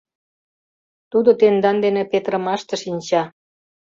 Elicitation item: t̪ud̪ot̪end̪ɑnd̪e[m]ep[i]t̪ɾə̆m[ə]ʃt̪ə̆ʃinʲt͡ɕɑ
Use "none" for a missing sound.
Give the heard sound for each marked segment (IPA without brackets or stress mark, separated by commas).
n, e, ɑ